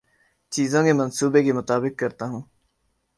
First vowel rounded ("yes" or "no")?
no